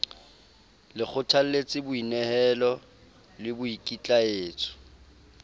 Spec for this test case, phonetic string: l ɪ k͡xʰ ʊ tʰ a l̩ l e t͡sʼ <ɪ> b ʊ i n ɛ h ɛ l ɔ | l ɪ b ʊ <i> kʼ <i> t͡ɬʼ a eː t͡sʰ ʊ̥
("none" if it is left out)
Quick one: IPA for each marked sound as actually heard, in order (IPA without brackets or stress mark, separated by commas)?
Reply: ɪ, i, i